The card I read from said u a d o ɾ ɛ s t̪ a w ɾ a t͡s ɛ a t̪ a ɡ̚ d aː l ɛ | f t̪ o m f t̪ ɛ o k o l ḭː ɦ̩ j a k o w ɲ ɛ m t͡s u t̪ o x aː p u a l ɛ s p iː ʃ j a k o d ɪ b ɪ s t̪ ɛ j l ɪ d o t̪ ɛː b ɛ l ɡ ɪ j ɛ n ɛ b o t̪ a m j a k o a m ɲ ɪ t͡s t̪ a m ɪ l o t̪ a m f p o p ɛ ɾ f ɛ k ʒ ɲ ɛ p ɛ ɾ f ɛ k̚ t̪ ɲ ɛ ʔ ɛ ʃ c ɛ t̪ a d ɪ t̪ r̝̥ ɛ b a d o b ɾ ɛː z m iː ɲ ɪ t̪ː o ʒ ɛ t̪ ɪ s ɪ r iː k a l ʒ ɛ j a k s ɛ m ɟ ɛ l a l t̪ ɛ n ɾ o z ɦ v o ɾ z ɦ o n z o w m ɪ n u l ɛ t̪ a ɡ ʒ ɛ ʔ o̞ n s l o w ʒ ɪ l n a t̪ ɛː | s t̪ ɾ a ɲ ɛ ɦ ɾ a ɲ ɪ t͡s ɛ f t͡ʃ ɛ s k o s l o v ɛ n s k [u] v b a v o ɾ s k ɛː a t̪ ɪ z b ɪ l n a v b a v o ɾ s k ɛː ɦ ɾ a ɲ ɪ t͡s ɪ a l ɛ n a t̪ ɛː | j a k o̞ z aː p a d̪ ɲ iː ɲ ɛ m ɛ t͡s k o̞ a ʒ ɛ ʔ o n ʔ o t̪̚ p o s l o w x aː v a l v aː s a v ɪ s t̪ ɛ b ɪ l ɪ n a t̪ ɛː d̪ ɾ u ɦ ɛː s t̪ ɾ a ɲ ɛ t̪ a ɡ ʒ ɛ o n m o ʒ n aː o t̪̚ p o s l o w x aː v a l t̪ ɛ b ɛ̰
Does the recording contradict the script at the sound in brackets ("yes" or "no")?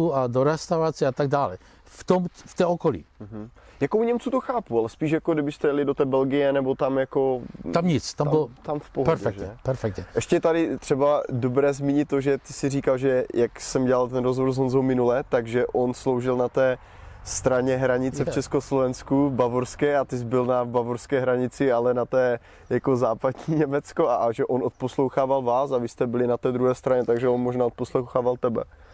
no